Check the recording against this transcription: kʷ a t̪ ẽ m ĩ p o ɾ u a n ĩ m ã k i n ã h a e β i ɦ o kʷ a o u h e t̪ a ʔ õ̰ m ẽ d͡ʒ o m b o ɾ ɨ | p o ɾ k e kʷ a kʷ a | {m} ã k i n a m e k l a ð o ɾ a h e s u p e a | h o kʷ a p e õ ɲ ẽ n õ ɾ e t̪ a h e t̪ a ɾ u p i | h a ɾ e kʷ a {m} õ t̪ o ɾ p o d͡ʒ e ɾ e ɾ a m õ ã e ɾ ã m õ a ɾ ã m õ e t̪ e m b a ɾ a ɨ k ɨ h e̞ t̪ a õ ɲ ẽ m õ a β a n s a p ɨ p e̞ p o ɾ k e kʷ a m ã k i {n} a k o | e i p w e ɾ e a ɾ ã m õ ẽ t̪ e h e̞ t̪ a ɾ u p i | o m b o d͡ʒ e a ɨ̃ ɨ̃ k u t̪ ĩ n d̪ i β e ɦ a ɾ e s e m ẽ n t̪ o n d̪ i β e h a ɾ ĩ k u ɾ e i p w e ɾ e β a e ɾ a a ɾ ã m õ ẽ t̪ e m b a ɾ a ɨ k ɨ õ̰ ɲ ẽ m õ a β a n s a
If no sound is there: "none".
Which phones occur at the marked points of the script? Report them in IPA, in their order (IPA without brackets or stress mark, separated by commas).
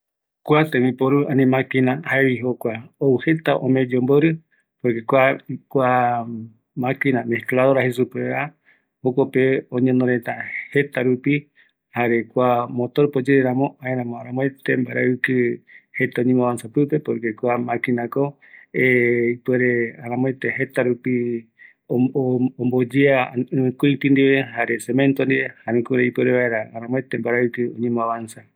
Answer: m, m, n